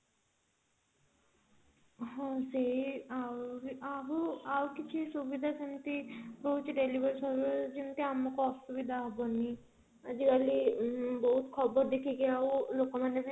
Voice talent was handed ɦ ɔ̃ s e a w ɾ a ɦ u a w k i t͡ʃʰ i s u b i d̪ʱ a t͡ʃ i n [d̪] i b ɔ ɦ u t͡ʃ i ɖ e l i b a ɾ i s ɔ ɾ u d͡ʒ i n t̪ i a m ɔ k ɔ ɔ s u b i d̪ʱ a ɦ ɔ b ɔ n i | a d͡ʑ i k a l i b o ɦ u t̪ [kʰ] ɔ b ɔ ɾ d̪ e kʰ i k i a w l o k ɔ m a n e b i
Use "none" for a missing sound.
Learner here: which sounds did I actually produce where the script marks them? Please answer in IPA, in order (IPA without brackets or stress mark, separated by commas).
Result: t̪, kʰ